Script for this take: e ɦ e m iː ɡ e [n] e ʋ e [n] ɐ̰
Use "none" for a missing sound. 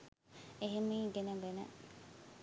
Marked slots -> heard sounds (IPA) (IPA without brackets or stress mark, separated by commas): n, n